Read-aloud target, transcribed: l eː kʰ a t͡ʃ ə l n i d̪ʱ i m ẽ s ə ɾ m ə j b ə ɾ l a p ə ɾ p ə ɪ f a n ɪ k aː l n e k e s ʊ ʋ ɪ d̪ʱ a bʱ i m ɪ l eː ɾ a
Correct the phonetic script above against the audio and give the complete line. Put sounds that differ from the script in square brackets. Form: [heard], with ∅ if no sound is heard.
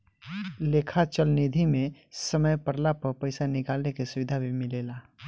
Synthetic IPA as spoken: l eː kʰ a t͡ʃ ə l n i d̪ʱ i m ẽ s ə [∅] m ə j [p] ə ɾ l a p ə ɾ p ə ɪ [s] a n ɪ k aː l n e k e s ʊ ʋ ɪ d̪ʱ a bʱ i m ɪ l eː [l] a